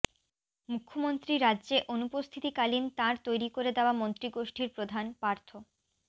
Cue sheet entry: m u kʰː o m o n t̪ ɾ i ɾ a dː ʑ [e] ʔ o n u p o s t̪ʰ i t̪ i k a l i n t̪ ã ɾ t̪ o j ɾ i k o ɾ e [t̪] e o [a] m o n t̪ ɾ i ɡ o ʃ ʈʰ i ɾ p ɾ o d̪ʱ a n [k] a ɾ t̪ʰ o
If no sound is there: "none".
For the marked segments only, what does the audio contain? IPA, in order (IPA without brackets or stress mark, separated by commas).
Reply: e, d̪, a, p